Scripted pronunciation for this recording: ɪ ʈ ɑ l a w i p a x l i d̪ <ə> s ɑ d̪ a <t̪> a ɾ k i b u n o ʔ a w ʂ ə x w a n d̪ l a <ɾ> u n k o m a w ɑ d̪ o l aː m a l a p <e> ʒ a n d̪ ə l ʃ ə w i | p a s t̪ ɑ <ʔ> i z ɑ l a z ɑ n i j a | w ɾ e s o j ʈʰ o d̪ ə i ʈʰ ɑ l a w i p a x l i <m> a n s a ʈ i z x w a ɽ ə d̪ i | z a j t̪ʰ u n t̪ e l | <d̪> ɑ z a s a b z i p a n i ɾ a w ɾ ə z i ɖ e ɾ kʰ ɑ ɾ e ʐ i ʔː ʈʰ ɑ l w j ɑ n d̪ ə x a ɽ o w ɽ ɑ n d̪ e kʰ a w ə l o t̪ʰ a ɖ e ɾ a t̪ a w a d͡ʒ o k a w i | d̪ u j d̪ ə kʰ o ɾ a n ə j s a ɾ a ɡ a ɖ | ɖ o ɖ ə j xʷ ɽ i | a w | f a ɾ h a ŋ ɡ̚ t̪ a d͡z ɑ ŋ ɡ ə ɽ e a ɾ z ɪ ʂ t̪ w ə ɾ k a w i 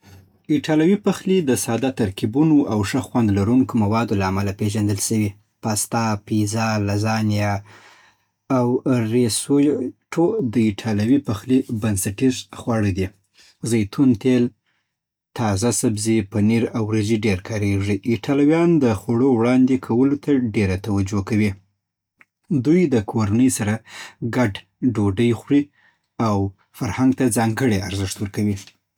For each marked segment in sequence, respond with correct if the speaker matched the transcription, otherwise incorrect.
correct, correct, correct, correct, incorrect: p, incorrect: b, incorrect: t̪

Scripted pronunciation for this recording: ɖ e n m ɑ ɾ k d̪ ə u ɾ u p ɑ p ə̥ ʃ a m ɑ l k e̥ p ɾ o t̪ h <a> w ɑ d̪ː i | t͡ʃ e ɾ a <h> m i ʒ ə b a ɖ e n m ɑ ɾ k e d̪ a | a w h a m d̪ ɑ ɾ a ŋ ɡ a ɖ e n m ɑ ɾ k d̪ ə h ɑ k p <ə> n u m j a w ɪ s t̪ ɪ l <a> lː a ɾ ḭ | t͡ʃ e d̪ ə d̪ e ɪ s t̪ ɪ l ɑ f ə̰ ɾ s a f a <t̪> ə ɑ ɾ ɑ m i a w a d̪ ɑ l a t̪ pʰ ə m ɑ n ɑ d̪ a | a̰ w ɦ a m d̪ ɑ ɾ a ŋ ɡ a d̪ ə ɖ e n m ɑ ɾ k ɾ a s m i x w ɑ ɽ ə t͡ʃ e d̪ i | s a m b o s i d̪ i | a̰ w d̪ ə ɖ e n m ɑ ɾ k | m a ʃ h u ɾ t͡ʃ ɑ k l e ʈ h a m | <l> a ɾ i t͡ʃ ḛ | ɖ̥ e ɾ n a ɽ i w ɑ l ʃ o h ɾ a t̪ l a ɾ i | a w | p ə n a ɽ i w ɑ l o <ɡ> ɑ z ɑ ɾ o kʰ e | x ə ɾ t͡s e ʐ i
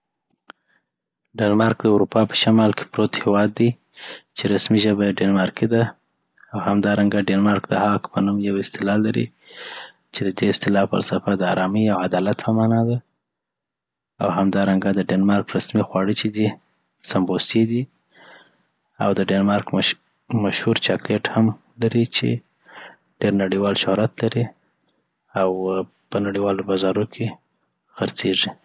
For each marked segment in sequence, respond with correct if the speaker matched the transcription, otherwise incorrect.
incorrect: e, incorrect: s, correct, incorrect: ɑ, incorrect: d̪, correct, incorrect: b

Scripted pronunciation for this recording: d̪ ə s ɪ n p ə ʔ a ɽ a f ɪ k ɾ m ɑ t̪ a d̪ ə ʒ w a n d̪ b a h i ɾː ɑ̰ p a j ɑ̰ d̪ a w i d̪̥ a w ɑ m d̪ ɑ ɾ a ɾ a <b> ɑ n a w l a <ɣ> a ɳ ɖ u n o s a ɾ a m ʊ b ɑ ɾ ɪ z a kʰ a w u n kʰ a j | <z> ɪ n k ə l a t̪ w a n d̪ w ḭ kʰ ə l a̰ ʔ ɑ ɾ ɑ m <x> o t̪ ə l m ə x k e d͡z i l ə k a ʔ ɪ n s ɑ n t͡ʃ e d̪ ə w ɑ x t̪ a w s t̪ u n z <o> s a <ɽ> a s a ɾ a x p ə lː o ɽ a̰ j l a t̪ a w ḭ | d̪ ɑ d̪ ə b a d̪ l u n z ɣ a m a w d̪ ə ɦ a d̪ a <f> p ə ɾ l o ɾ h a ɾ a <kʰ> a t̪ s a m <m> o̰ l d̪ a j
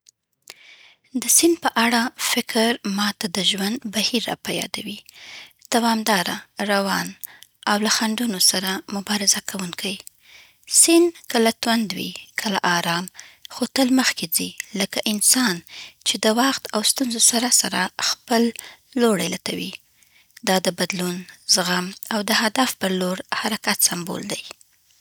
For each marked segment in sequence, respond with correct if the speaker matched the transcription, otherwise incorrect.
incorrect: w, incorrect: x, incorrect: s, correct, correct, incorrect: ɾ, correct, incorrect: k, incorrect: b

